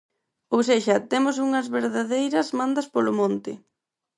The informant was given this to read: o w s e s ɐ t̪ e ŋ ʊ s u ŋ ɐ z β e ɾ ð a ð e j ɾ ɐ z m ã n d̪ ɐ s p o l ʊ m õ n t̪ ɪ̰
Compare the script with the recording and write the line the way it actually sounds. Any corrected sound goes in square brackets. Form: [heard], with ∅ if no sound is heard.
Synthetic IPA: o w s e [ʃ] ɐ t̪ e [m] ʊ s u ŋ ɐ z β e ɾ ð a ð e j ɾ ɐ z m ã n d̪ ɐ s p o l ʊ m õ n t̪ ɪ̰

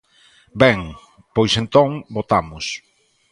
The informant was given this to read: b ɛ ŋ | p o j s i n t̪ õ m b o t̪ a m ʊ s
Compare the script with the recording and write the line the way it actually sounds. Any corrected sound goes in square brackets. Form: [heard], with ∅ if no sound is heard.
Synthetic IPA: b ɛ ŋ | p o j s [e] n t̪ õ [ŋ] b o t̪ a m ʊ s

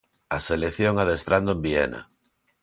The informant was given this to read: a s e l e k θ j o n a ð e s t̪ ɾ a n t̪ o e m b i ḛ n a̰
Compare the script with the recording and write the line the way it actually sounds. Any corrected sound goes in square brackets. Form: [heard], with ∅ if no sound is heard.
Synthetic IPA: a s e l e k θ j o [ŋ] a ð e s t̪ ɾ a n [d̪] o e m b i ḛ n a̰

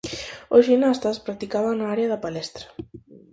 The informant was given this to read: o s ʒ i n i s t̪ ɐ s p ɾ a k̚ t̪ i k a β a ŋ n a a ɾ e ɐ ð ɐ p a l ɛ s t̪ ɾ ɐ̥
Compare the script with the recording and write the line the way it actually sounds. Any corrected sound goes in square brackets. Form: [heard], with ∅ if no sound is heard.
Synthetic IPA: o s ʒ i n [a] s t̪ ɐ s p ɾ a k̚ t̪ i k a β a ŋ n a a ɾ e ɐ ð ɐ p a l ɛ s t̪ ɾ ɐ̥

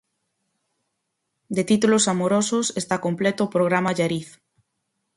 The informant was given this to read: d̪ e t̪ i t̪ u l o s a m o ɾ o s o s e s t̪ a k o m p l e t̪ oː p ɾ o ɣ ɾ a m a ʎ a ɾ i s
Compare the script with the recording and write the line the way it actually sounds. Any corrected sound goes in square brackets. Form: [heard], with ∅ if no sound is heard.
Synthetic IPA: d̪ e t̪ i t̪ u l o s a m o ɾ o s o s e s t̪ a k o m p l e t̪ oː p ɾ o ɣ ɾ a m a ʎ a ɾ i [θ]

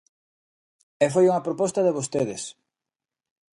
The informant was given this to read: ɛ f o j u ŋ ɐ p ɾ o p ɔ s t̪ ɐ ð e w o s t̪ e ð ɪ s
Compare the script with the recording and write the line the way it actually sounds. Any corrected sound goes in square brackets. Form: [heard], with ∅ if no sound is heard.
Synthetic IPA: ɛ f o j u ŋ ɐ p ɾ o p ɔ s t̪ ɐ ð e [β] o s t̪ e ð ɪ s

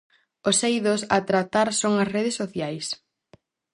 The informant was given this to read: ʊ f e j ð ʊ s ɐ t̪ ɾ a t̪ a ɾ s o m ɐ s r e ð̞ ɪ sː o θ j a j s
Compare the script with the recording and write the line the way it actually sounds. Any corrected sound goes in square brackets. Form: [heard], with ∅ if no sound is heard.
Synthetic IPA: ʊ [s] e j ð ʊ s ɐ t̪ ɾ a t̪ a ɾ s o [ŋ] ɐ s r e ð̞ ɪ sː o θ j a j s

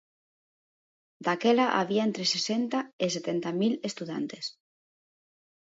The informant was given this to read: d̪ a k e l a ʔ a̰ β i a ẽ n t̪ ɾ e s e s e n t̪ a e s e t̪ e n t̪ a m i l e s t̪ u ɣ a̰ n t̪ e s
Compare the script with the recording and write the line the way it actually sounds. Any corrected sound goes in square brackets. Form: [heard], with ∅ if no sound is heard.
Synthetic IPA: d̪ a k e l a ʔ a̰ β i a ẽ n t̪ ɾ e s e s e n t̪ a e s e t̪ e n t̪ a m i l e s t̪ u [ð] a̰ n t̪ e s

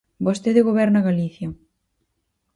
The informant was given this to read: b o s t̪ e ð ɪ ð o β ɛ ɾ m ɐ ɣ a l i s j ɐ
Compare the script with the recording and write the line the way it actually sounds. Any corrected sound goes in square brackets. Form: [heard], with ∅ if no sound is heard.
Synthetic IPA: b o s t̪ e ð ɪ [ɣ] o β ɛ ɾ [n] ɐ ɣ a l i [θ] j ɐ

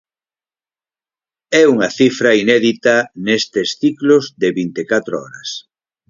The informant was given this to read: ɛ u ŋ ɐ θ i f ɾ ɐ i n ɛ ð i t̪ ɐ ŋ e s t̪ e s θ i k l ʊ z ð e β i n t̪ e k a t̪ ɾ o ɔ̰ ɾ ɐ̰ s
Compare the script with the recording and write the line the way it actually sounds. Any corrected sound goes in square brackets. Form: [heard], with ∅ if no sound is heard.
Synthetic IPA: ɛ u ŋ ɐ θ i f ɾ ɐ i n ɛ ð i t̪ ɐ [n] e s t̪ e s θ i k l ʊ z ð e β i n t̪ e k a t̪ ɾ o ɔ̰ ɾ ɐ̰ s

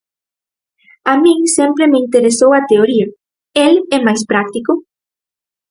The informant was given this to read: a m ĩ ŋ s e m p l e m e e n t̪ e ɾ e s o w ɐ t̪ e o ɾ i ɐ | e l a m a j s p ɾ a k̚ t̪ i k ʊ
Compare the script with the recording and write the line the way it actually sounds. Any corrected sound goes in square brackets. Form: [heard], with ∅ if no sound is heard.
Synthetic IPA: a m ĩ ŋ s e m p [ɾ] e m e [i] n t̪ e ɾ e s o w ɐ t̪ e o ɾ i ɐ | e l [ɛ] m a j s p ɾ a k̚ t̪ i k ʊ

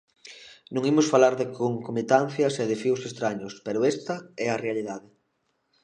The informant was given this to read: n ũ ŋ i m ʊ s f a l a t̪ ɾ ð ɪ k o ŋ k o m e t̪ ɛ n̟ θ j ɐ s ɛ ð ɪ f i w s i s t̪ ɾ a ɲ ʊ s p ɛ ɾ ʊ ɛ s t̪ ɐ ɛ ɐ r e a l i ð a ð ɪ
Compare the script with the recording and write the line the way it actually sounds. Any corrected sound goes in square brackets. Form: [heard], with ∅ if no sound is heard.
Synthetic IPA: n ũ ŋ i m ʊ s f a l a [∅] ɾ ð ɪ k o ŋ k o m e t̪ [a] n̟ θ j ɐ s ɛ ð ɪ f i w s [e] s t̪ ɾ a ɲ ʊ s p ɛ ɾ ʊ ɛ s t̪ ɐ ɛ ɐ r e a l i ð a ð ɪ

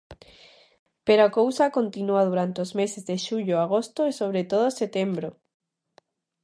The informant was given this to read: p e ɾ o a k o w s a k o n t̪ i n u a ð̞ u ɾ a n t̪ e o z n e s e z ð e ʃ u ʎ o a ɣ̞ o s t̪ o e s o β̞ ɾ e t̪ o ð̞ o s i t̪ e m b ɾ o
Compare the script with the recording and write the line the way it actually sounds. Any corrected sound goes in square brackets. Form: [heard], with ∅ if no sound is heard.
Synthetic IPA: p e ɾ o a k o w s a k o n t̪ i n u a ð̞ u ɾ a n t̪ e o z [m] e s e z ð e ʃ u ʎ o a ɣ̞ o s t̪ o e s o β̞ ɾ e t̪ o ð̞ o s [e] t̪ e m b ɾ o

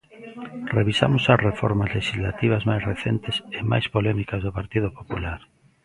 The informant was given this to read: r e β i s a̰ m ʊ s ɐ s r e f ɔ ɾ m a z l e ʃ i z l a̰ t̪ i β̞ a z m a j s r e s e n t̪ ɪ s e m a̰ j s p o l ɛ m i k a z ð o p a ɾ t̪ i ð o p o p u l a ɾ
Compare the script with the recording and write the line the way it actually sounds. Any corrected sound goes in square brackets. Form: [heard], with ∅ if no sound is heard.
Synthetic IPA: r e β i s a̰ m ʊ s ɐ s r e f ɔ ɾ m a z l e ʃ i z l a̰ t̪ i β̞ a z m a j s r e [θ] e n t̪ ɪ s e m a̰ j s p o l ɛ m i k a z ð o p a ɾ t̪ i ð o p o p u l a ɾ

